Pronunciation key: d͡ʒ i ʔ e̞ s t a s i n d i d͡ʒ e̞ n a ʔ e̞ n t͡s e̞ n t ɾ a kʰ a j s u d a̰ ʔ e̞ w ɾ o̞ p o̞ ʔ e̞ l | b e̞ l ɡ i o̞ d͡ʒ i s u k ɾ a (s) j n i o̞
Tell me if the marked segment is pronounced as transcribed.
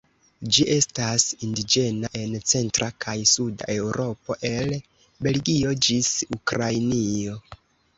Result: no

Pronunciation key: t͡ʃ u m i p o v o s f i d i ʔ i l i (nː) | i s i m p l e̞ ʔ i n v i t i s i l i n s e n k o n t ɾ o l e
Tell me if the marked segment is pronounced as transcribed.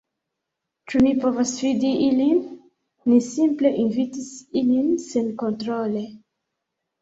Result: yes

